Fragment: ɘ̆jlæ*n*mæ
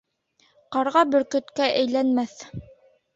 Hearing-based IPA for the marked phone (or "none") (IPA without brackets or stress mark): n